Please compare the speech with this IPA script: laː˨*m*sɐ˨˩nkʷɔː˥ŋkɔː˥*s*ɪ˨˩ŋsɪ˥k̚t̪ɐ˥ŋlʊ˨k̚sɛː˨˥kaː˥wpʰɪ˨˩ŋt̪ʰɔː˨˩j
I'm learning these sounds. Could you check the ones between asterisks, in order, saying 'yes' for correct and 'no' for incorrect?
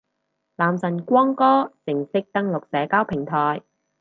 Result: yes, yes

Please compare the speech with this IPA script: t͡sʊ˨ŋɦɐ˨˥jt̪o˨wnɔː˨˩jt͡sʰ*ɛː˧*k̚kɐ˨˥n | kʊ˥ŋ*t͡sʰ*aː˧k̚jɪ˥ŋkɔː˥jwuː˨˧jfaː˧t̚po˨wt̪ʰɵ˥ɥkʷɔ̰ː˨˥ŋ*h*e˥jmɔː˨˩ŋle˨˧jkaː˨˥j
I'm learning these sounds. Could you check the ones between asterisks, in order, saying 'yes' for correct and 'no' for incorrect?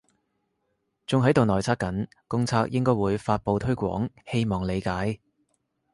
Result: no, yes, yes

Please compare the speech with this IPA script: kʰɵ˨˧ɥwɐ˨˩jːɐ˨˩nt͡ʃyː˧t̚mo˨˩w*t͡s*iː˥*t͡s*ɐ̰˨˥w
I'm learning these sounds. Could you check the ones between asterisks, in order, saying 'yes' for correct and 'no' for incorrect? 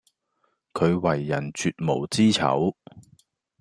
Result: yes, no

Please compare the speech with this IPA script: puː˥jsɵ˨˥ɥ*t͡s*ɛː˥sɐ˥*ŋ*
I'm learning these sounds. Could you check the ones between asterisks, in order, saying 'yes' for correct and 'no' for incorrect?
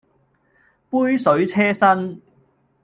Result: no, no

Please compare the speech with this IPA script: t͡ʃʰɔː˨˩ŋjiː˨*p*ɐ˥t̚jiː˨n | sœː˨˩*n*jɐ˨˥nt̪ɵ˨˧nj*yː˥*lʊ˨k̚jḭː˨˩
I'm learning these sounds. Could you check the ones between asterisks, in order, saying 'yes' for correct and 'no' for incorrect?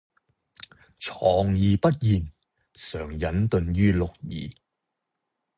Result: yes, no, yes

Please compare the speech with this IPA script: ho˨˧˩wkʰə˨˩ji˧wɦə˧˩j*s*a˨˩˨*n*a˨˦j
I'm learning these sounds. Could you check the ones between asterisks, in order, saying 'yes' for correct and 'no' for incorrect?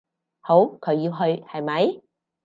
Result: no, no

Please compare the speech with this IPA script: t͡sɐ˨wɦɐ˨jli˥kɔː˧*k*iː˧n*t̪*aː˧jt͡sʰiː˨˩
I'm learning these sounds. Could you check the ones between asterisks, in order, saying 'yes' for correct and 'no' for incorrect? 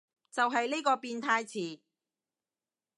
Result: no, no

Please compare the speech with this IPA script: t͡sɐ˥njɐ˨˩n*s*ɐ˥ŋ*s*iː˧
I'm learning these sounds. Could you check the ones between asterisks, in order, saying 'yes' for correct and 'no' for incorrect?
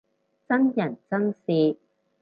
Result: no, yes

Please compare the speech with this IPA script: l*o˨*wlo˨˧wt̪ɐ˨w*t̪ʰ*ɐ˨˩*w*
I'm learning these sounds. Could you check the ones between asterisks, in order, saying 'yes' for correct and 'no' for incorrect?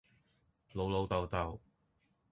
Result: yes, no, yes

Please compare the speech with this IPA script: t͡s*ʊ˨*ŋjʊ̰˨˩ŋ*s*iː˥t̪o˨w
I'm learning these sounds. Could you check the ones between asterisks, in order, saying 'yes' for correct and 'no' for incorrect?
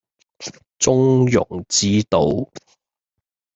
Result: no, no

